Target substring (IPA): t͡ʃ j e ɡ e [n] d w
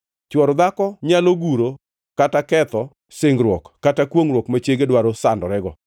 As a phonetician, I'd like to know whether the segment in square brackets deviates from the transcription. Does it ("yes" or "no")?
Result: yes